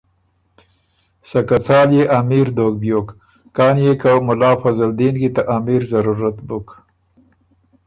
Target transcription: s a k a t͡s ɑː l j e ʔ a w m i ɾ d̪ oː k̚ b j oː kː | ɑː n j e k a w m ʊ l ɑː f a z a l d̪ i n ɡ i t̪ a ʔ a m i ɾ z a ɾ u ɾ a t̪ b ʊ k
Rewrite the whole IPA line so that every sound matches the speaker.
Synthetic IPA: s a k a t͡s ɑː l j e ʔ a m i ɾ d̪ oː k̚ b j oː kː | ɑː n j e k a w m ʊ l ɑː f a z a l d̪ i n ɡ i t̪ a ʔ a m i ɾ z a ɾ u ɾ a t̪ b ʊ k